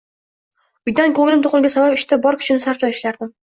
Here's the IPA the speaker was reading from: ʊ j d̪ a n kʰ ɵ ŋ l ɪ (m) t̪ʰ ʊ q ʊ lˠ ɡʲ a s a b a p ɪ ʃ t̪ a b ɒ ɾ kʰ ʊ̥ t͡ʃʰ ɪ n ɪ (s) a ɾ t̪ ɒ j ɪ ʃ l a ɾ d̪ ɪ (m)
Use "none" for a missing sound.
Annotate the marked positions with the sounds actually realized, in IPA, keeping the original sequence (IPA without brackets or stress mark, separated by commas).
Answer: m, s, m